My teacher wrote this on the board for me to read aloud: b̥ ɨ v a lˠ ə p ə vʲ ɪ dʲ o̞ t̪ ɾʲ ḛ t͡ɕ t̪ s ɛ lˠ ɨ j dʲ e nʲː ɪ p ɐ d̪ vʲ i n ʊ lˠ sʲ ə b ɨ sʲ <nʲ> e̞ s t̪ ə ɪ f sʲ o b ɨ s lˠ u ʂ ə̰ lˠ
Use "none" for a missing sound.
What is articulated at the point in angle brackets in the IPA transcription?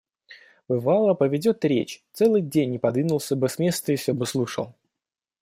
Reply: mʲ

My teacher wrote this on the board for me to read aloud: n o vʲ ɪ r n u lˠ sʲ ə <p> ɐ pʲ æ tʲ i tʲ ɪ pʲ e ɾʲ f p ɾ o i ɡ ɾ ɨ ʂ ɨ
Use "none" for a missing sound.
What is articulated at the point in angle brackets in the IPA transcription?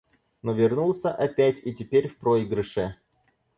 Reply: ʔ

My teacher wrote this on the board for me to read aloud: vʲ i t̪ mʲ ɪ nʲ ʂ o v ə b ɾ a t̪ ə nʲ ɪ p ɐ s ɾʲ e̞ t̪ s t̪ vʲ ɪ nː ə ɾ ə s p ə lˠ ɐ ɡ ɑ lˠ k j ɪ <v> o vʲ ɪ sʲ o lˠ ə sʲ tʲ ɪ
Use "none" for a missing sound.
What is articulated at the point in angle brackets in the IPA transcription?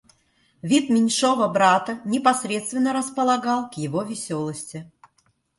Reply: v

